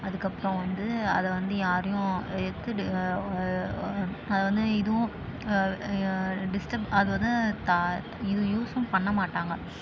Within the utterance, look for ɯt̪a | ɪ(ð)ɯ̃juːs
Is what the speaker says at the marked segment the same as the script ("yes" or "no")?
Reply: yes